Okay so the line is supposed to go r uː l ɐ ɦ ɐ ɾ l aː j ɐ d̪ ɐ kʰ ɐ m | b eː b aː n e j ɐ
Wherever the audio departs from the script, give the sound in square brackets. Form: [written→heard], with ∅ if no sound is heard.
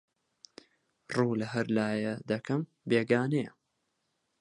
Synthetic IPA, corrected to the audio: r uː l ɐ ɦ ɐ ɾ l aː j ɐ d̪ ɐ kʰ ɐ m | b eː [b→ɡ] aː n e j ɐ